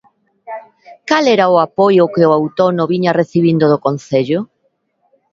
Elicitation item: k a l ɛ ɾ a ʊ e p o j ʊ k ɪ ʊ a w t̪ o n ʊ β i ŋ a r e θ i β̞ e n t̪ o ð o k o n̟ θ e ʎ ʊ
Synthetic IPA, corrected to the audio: k a l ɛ ɾ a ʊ a p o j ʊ k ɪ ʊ a w t̪ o n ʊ β i ɲ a r e θ i β̞ i n d̪ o ð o k o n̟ θ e ʎ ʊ